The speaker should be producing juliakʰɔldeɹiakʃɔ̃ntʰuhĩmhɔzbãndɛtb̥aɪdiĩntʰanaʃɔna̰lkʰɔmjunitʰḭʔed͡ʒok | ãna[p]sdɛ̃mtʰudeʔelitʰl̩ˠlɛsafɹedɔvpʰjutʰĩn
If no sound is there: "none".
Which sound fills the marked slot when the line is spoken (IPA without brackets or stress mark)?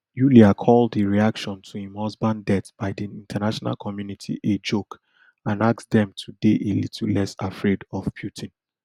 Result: k